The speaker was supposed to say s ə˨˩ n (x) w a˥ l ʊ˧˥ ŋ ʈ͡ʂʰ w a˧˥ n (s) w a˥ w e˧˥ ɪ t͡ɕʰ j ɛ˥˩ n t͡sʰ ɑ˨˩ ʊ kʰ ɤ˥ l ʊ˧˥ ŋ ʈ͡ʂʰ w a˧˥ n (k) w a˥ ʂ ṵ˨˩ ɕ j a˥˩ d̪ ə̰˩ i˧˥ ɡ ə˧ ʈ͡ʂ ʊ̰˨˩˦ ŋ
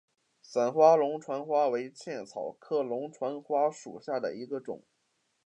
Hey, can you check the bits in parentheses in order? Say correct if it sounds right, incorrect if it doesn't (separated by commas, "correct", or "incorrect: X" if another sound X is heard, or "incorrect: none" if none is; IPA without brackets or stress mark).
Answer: correct, incorrect: x, incorrect: x